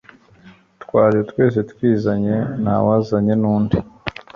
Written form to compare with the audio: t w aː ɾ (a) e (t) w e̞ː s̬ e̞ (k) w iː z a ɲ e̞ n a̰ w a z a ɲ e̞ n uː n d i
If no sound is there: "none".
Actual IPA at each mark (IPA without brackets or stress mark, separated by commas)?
i, t, t